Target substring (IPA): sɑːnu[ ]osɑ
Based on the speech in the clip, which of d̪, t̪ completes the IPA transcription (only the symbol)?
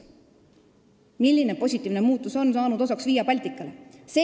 d̪